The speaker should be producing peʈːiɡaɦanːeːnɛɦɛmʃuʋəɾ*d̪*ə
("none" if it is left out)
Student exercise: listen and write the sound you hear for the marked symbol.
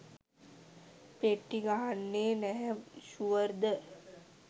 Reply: d̪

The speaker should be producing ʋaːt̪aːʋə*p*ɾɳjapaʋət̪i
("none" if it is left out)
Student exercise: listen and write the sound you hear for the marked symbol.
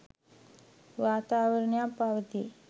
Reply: none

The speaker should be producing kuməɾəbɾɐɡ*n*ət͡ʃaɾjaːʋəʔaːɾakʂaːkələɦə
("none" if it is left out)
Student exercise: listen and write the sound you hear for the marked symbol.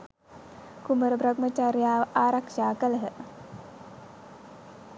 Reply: m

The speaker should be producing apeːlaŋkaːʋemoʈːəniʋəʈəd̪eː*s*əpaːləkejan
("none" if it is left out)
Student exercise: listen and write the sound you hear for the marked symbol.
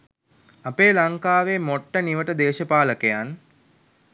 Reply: ʃ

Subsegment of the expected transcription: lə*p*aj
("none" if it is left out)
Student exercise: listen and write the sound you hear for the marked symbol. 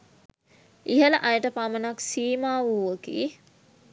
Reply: ʔ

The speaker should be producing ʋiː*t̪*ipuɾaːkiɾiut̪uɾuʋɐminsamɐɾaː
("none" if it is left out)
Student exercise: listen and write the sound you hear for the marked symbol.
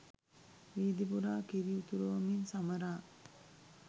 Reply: d̪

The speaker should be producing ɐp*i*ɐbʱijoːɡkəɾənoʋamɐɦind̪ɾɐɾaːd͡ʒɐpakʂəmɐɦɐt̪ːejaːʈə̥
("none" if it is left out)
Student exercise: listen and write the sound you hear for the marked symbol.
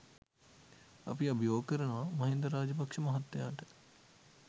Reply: i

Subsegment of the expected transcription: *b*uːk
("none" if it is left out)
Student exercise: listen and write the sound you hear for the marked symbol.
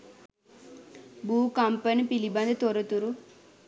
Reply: b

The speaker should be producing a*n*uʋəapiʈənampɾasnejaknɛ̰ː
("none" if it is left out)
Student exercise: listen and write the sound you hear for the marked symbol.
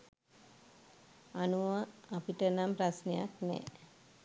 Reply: n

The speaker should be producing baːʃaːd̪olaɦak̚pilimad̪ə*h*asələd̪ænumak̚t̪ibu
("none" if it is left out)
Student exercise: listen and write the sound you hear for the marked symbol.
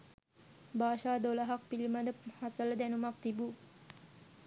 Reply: h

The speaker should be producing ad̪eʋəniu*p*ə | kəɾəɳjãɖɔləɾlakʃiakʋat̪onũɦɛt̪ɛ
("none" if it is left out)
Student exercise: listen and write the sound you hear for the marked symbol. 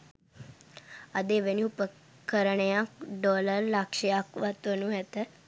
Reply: p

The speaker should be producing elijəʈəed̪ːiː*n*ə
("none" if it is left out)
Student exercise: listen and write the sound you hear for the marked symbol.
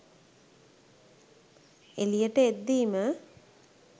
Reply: m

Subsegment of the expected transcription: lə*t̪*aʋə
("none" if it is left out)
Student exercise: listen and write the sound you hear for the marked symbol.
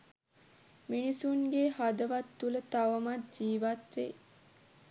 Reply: t̪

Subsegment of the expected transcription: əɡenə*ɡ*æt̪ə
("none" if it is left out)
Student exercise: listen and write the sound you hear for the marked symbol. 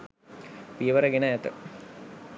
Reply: none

